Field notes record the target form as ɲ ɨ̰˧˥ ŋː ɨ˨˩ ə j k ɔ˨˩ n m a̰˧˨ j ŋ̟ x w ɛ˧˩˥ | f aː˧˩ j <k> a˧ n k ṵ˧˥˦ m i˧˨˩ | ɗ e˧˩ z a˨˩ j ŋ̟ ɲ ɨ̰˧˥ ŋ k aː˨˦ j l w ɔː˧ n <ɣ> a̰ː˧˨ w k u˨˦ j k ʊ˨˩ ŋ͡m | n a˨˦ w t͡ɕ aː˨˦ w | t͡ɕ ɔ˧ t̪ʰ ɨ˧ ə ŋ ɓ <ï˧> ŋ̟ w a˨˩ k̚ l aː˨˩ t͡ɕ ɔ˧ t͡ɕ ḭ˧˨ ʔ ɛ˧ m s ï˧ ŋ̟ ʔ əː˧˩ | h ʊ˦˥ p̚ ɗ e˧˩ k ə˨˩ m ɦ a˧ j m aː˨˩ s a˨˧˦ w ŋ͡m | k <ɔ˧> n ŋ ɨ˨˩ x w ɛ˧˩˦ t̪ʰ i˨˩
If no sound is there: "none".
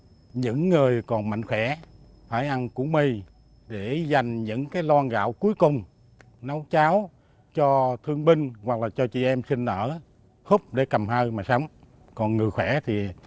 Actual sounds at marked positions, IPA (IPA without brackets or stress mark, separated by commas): ʔ, ɣ, ï˧, ɔ˨˩